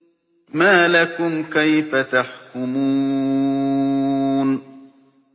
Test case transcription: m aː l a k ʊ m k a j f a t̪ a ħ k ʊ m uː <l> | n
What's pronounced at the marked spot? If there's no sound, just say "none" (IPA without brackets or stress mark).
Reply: none